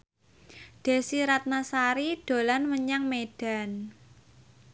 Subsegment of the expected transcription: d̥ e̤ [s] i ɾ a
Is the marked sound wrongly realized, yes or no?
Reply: no